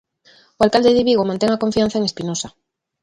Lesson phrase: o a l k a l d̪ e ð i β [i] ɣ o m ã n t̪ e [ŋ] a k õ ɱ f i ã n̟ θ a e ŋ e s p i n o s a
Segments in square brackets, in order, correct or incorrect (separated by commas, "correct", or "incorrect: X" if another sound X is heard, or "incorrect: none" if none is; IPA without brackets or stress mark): correct, correct